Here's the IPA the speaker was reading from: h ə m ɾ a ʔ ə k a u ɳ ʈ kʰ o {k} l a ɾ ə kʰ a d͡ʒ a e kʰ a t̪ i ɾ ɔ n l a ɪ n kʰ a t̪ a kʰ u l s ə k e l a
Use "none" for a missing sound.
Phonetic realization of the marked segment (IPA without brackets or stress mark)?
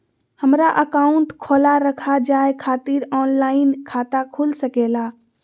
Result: none